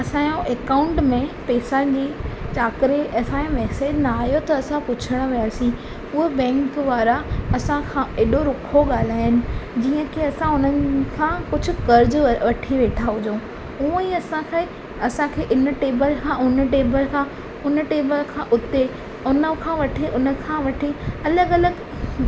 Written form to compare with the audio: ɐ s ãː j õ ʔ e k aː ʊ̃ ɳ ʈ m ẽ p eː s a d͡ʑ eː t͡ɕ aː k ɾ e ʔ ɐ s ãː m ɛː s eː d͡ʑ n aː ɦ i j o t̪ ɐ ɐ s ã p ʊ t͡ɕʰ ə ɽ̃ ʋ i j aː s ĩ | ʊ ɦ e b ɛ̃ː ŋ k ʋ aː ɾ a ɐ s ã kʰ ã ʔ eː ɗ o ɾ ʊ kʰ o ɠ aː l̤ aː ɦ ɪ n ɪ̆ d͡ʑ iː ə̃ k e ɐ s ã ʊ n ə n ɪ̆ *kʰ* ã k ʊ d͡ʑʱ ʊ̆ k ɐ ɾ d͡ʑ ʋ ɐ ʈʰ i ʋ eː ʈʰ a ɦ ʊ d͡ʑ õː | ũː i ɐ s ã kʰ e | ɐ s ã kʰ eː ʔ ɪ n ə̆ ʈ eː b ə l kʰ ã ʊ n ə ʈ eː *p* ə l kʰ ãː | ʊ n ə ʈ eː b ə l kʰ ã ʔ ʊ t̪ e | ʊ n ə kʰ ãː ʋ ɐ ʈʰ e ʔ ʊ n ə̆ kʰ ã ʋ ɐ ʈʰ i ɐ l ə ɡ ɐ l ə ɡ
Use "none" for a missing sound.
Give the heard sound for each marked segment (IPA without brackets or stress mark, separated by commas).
kʰ, b